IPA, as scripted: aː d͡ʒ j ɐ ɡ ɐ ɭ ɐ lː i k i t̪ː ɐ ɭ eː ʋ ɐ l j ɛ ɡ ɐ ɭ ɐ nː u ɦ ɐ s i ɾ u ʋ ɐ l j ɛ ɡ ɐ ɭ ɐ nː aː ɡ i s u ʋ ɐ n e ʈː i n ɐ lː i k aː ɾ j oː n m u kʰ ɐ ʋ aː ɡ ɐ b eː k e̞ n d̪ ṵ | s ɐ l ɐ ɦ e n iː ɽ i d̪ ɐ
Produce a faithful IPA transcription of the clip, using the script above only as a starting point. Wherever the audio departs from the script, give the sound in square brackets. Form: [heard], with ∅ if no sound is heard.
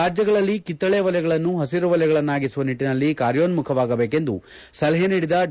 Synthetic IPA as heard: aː d͡ʒ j ɐ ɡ ɐ ɭ ɐ lː i k i t̪ː ɐ ɭ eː ʋ ɐ l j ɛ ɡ ɐ ɭ ɐ nː u ɦ ɐ s i ɾ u ʋ ɐ l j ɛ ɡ ɐ ɭ ɐ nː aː ɡ i s u ʋ ɐ n [i] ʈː i n ɐ lː i k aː ɾ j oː n m u kʰ ɐ ʋ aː ɡ ɐ b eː k e̞ n d̪ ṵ | s ɐ l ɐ ɦ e n iː ɽ i d̪ ɐ